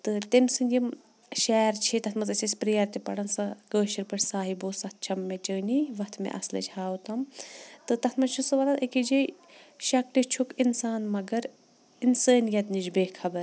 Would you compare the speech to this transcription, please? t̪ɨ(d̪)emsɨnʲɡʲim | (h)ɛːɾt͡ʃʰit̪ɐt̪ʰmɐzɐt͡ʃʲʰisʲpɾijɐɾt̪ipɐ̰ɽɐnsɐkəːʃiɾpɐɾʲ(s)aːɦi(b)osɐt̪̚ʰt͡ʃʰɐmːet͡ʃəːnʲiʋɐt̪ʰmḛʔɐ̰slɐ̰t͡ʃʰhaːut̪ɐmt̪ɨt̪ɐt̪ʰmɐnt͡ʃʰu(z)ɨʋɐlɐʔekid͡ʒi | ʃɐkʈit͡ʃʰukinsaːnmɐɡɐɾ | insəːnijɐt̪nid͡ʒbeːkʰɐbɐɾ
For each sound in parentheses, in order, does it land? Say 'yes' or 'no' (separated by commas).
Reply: no, no, yes, yes, no